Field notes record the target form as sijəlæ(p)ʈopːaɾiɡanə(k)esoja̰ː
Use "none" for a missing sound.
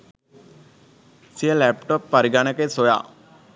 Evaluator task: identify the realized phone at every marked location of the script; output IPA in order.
p, k

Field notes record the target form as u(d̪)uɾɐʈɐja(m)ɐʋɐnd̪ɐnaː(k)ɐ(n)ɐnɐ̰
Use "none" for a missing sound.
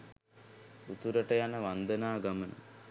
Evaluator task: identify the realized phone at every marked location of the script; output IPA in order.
t̪, n, ɡ, m

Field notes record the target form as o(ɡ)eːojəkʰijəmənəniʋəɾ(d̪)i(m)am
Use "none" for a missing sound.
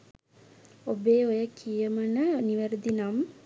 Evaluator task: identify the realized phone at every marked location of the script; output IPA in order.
b, d̪, n

